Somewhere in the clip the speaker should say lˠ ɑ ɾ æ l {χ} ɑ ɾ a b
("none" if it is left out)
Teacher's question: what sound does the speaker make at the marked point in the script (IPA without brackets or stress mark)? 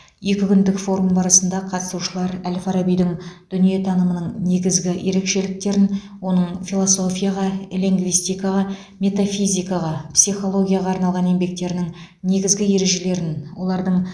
f